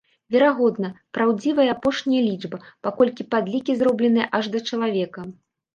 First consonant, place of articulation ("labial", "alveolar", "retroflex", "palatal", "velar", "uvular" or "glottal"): labial